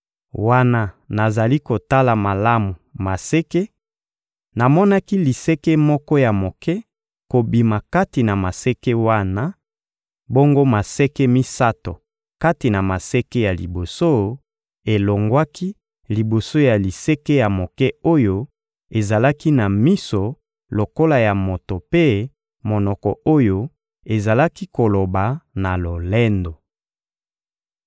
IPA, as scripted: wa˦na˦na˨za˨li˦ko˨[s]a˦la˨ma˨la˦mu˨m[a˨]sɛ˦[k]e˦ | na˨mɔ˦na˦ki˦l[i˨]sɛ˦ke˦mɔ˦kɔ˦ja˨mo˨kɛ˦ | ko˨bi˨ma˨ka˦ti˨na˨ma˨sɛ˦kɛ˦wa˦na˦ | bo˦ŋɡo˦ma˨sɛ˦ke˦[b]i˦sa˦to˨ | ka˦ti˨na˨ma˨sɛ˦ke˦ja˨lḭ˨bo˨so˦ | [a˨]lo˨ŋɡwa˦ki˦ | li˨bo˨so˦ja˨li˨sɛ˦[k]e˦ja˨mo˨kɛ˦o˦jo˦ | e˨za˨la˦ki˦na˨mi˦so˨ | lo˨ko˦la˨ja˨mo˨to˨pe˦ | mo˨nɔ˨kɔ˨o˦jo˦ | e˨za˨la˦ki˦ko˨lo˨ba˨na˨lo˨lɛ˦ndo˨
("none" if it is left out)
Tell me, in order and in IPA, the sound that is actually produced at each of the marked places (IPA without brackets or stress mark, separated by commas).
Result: t, a˨, k, i˨, m, e˨, k